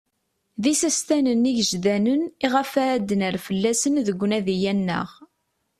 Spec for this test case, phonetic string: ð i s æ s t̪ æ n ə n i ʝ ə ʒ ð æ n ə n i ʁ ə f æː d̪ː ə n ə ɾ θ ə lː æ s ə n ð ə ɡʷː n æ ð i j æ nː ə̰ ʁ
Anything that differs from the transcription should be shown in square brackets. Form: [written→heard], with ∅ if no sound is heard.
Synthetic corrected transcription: ð i s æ s t̪ æ n ə n i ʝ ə ʒ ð æ n ə n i ʁ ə f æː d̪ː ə n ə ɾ [θ→f] ə lː æ s ə n ð ə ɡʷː n æ ð i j æ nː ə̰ ʁ